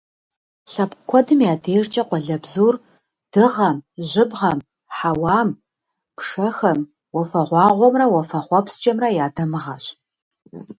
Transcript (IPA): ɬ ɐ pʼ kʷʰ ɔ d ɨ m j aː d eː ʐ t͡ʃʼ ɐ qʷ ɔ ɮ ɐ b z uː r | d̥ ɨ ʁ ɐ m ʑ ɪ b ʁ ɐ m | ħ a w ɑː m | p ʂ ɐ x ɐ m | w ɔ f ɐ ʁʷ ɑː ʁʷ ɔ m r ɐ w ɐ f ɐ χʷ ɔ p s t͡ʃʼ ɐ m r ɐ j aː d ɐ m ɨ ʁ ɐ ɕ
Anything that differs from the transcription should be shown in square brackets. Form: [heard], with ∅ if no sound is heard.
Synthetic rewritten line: ɬ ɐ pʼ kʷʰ ɔ d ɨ m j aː d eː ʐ t͡ʃʼ ɐ qʷ ɔ ɮ ɐ b z uː r | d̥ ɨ ʁ ɐ m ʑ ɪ b ʁ ɐ m | ħ a w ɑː m | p ʂ ɐ x ɐ m | w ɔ f ɐ ʁʷ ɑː ʁʷ ɔ m r ɐ w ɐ f ɐ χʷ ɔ p s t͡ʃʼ ɐ m r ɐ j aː d ɐ m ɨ ʁ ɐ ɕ

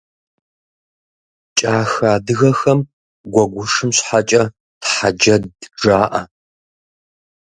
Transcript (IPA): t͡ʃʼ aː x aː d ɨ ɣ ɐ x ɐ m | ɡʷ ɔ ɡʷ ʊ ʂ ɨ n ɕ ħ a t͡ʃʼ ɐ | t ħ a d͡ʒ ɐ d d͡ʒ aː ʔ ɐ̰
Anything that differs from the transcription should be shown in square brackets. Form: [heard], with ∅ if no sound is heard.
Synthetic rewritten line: t͡ʃʼ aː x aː d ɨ ɣ ɐ x ɐ m | ɡʷ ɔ ɡʷ ʊ ʂ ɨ [m] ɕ ħ a t͡ʃʼ ɐ | t ħ a d͡ʒ ɐ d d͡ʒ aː ʔ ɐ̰

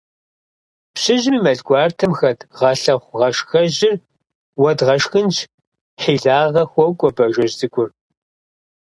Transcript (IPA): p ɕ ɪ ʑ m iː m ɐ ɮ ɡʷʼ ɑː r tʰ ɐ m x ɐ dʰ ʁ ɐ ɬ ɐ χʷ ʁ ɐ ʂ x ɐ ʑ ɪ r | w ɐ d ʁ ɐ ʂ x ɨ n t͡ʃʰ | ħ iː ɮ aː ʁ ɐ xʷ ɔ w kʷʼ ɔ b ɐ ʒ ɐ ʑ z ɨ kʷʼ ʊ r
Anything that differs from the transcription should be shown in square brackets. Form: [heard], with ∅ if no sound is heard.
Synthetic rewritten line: p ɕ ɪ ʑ m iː m ɐ ɮ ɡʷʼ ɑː r tʰ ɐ m x ɐ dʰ ʁ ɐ ɬ ɐ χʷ ʁ ɐ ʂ x ɐ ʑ ɪ r | w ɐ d ʁ ɐ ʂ x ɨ n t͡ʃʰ | ħ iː ɮ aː ʁ ɐ xʷ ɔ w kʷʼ ɔ b ɐ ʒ ɐ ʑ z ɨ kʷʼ ʊ r

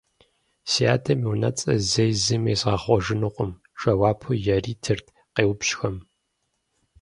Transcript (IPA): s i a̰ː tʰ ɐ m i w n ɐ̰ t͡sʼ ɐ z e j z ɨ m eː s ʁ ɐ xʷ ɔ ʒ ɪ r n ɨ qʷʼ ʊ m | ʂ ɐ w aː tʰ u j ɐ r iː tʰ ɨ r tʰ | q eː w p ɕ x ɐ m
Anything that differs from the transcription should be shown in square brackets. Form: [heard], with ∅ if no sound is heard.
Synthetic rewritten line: s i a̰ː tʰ ɐ m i w n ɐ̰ t͡sʼ ɐ z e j z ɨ m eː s ʁ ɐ [χʷ] ɔ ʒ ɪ [∅] n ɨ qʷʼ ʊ m | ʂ ɐ w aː [pʰ] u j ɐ r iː tʰ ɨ r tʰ | q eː w p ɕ x ɐ m

